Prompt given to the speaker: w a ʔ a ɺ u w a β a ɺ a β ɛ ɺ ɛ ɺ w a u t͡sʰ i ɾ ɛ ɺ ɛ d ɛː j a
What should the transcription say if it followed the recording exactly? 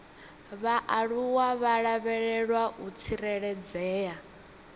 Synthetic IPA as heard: β a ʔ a ɺ u w a β a ɺ a β ɛ ɺ ɛ ɺ w a u t͡sʰ i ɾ ɛ ɺ ɛ d͡z ɛː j a